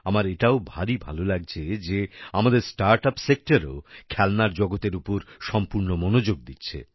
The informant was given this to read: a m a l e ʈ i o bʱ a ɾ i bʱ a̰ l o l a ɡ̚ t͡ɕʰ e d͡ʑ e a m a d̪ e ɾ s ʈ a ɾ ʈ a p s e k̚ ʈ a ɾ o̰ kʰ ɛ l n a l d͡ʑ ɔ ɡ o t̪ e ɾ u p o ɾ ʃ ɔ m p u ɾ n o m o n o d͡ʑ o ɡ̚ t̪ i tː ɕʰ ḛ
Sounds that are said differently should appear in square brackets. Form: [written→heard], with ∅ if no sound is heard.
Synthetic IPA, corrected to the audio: a m a [l→ɾ] e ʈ [i→a] o bʱ a ɾ i bʱ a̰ l o l a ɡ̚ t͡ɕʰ e d͡ʑ e a m a d̪ e ɾ s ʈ a ɾ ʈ a p s e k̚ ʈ a ɾ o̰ kʰ ɛ l n a [l→ɾ] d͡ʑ ɔ ɡ o t̪ e ɾ u p o ɾ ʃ ɔ m p u ɾ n o m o n o d͡ʑ o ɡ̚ [t̪→d̪] i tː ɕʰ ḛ